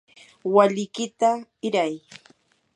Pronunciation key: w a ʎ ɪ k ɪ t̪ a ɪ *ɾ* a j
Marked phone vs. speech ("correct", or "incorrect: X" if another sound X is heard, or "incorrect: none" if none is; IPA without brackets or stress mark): correct